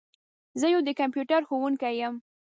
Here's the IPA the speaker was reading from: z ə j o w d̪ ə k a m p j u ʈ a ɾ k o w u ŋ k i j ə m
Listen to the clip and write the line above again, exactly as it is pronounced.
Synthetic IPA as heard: z ə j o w d̪ ə k a m p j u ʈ a ɾ x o w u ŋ k a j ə m

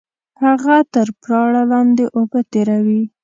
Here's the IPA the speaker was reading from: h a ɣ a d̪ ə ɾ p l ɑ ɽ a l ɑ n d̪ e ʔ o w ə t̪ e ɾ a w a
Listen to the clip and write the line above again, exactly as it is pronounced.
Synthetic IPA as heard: h a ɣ a t̪ ə ɾ p ɾ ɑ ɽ a l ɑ n d̪ e ʔ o b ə t̪ e ɾ a w i

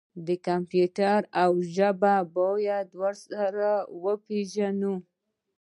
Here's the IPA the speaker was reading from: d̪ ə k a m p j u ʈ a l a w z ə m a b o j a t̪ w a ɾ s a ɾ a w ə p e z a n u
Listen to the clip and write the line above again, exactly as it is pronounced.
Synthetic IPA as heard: d̪ ə k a m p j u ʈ a ɾ a w ʒ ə b a b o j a d̪ w a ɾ s a ɾ a w ə p e ʒ a n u

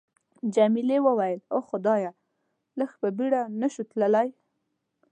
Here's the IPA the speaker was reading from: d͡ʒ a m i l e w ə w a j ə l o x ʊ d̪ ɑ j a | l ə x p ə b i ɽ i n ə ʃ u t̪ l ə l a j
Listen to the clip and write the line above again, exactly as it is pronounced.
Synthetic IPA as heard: d͡ʒ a m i l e w ə w a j ə l o x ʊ d̪ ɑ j a | l ə x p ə b i ɽ a n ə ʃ u t̪ l ə l a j

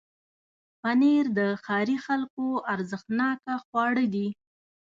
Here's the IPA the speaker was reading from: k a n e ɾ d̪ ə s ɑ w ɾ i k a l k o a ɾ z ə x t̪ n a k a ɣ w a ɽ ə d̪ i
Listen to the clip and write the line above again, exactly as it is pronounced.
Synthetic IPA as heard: p a n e ɾ d̪ ə x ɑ ɾ i x a l k o a ɾ z ə x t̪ n ɑ k a x w ɑ ɽ ə d̪ i

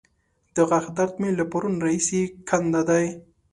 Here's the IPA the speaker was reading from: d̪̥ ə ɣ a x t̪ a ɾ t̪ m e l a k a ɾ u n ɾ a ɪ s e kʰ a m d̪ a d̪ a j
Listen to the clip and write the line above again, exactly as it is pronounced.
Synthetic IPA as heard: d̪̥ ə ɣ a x d̪ a ɾ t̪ m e l a p a ɾ u n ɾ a i s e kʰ a n d̪ a d̪ a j

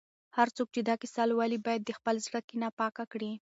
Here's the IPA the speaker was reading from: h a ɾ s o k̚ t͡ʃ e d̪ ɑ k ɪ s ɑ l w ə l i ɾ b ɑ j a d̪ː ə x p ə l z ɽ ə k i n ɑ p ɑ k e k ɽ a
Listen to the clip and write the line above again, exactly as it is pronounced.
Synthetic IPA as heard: h a ɾ t͡s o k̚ t͡ʃ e d̪ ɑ k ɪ s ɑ l w ɑ l i b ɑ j a d̪ː ə x p ə l z ɽ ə k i n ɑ p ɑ k a k ɽ i

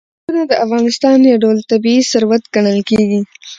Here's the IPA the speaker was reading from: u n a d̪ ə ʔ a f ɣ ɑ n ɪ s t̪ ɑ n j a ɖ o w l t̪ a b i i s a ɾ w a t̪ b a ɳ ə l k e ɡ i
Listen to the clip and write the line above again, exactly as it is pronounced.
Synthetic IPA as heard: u n a d̪ ə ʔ a f ɣ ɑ n ɪ s t̪ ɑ n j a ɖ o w l t̪ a b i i s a ɾ w a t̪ ɡ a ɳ ə l k e ɡ i

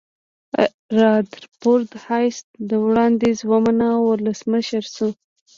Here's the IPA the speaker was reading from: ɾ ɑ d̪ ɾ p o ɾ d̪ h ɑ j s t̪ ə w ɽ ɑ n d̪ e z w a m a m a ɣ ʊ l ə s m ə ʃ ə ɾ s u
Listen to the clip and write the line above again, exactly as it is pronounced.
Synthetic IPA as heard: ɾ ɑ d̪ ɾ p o ɾ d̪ h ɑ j s d̪ ə w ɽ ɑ n d̪ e z w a m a n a w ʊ l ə s m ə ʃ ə ɾ s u

